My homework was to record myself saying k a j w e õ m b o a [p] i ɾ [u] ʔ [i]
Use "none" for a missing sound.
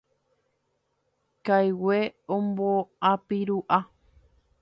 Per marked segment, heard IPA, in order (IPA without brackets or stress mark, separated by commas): p, u, a